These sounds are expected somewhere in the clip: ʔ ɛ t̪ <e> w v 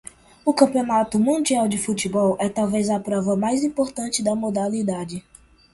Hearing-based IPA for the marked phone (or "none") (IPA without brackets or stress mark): a